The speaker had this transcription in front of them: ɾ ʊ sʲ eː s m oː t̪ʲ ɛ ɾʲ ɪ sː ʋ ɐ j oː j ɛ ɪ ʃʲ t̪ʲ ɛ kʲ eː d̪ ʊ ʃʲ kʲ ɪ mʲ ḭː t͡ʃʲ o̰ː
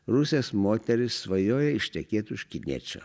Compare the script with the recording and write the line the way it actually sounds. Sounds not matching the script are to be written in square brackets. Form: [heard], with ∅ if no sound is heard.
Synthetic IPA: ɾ ʊ sʲ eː s m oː t̪ʲ ɛ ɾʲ ɪ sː ʋ ɐ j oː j ɛ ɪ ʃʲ t̪ʲ ɛ kʲ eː [t̪] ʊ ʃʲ kʲ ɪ [nʲ] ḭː t͡ʃʲ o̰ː